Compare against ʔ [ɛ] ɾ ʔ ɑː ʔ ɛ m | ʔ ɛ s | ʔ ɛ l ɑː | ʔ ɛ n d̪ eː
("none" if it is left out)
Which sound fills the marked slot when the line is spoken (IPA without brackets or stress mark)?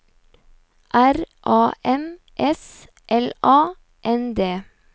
æ